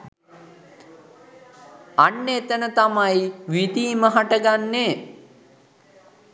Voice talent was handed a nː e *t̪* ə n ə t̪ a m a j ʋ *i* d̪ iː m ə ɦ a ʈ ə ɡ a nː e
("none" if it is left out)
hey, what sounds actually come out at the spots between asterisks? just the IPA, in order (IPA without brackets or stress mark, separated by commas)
t̪, i